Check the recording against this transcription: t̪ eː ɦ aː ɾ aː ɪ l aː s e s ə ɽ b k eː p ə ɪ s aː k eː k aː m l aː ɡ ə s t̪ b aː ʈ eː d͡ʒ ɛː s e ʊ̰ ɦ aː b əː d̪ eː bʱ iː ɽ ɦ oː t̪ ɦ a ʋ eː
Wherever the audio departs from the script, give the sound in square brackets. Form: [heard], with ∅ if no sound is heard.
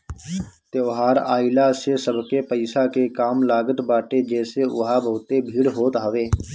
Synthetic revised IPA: t̪ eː ɦ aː ɾ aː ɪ l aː s e s ə [∅] b k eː p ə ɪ s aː k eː k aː m l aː ɡ ə [∅] t̪ b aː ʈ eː d͡ʒ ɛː s e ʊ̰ ɦ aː b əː [t̪] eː bʱ iː ɽ ɦ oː t̪ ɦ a ʋ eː